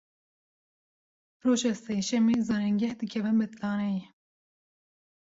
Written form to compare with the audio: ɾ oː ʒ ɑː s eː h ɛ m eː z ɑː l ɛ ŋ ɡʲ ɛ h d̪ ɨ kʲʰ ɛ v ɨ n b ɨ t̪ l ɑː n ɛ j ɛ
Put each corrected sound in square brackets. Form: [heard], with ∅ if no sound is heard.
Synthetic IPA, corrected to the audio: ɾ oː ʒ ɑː s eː [ʃ] ɛ m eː z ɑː [ɾ] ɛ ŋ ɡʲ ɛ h d̪ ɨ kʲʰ ɛ v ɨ n b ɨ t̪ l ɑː n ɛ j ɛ